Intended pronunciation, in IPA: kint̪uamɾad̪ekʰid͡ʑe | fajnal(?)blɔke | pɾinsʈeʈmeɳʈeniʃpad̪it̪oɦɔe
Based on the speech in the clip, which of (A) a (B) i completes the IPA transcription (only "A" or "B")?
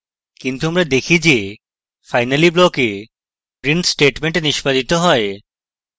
B